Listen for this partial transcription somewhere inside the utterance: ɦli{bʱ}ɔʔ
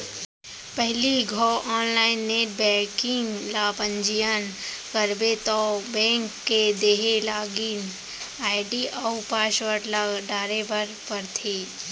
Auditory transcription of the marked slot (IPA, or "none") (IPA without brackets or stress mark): ɡʱ